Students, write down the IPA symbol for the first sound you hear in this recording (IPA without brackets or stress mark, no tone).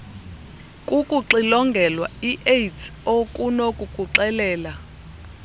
kʼ